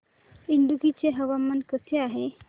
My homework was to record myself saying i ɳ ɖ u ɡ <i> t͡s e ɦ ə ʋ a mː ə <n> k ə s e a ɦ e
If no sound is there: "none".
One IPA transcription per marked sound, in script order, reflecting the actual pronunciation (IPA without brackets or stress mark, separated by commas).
i, n